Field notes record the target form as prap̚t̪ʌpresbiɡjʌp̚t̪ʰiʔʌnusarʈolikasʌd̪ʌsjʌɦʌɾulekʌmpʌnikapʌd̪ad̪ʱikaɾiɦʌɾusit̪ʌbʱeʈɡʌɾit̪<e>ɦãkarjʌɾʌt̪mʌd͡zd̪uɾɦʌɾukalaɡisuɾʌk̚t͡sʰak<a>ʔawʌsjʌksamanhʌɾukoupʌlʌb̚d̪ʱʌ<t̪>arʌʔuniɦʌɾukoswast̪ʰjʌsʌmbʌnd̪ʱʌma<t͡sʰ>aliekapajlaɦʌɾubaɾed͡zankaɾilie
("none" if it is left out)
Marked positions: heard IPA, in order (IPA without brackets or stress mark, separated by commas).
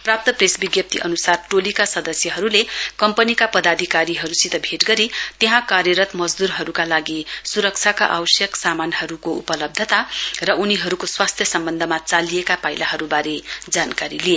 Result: e, a, t̪, t͡s